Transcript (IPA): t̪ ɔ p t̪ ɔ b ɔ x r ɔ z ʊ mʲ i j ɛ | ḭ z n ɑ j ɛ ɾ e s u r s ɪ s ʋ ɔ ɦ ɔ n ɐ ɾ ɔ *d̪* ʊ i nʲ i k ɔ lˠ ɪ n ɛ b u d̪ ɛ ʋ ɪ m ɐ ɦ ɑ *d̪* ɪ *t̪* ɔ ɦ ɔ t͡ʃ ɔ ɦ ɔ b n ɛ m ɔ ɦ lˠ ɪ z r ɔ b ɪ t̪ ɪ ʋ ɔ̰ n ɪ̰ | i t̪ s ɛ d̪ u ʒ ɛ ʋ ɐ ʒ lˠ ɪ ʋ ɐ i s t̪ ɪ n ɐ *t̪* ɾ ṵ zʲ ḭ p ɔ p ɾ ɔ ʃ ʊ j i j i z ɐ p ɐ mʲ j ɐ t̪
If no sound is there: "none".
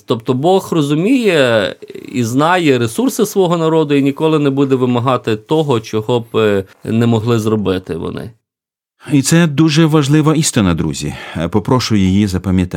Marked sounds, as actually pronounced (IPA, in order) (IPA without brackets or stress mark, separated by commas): d̪, t̪, t̪, d̪